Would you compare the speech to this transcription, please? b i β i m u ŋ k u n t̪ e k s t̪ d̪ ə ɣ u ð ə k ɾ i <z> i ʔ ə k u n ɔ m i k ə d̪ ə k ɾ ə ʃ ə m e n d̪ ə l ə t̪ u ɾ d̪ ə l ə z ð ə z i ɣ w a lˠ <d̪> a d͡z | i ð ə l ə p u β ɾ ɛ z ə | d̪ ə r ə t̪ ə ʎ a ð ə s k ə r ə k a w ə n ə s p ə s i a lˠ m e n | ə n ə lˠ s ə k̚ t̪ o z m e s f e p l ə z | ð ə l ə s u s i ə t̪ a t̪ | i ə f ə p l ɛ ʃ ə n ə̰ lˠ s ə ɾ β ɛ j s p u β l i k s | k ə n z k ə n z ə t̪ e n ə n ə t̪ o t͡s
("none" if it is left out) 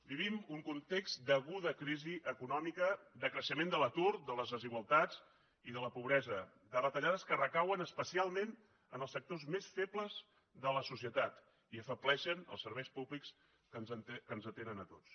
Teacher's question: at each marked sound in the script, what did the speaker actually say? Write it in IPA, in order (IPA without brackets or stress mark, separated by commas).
z, t̪